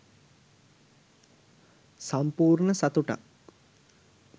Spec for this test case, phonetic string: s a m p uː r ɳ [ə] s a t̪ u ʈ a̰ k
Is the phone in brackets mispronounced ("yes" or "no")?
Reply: no